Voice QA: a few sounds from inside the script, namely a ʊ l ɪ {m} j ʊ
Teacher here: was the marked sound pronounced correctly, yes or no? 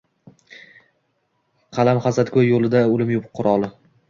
yes